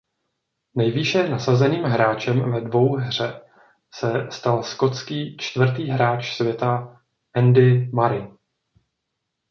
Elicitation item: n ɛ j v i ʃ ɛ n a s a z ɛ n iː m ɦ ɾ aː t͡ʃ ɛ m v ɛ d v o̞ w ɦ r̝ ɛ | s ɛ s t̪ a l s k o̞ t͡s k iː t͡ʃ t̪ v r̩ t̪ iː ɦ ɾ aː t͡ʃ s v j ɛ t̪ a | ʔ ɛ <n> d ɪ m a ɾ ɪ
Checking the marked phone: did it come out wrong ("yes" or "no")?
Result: no